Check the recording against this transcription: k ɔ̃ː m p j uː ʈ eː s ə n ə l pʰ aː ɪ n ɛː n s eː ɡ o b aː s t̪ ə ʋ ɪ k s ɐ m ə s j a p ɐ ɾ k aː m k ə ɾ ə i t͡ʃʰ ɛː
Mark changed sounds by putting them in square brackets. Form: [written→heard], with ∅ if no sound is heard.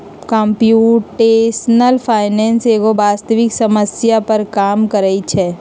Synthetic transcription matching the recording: k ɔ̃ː m p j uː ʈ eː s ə n ə l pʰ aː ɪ n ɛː n s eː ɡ o b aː s t̪ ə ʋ ɪ k s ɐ m ə s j a p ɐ ɾ k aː m k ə ɾ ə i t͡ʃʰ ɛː